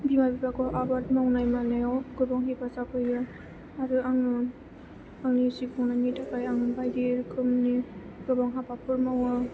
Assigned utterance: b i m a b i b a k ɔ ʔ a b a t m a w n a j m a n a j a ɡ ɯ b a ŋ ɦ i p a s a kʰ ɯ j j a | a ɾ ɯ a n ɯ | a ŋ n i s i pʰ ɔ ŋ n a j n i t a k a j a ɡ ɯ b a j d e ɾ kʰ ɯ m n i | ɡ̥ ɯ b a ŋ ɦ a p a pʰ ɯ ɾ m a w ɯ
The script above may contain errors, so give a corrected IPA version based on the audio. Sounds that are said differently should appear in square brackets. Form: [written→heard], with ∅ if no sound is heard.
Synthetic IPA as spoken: b i m a b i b a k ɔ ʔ a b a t m a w n a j m a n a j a ɡ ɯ b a ŋ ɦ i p a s a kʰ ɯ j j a | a ɾ ɯ a [n→ŋ] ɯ | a ŋ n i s i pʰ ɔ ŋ n a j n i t a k a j a [ɡ→ŋ] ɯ b a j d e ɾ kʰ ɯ m n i | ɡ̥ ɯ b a ŋ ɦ a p a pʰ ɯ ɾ m a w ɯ